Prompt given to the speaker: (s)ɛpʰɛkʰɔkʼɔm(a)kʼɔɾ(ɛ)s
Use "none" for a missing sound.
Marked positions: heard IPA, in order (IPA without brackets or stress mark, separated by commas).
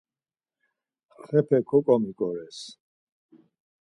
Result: χ, i, ɛ